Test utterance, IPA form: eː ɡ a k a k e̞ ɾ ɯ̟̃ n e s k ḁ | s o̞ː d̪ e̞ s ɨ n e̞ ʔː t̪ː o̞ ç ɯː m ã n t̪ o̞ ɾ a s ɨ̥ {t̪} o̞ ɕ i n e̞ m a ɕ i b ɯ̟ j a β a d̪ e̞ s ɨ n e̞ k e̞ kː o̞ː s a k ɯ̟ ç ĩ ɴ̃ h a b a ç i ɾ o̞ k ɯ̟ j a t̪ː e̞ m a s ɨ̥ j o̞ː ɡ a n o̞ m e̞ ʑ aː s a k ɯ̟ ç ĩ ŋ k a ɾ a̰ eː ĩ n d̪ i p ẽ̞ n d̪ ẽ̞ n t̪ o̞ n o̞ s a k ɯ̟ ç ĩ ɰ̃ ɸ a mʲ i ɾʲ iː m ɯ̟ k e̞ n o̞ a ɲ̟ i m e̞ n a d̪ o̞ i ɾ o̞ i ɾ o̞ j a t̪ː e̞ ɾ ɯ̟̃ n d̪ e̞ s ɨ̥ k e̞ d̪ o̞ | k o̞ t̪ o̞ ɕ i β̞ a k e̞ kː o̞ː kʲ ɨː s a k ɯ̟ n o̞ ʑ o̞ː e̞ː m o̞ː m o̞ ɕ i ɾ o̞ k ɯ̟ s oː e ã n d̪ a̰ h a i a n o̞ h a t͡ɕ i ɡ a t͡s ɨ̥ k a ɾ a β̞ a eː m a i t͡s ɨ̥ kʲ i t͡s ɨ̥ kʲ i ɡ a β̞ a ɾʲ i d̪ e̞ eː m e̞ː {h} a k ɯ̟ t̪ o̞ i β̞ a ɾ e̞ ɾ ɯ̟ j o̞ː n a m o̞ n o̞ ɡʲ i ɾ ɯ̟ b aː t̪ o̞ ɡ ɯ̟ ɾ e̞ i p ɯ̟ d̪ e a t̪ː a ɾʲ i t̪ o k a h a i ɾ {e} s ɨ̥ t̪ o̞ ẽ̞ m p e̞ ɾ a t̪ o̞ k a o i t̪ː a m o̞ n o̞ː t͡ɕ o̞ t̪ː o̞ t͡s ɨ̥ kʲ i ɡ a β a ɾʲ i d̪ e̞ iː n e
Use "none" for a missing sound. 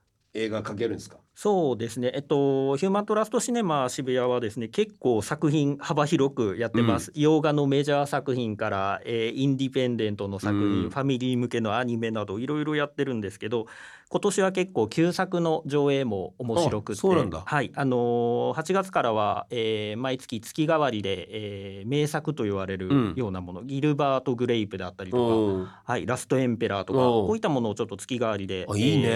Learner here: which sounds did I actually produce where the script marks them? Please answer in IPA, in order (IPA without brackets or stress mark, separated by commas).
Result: t̪, s, a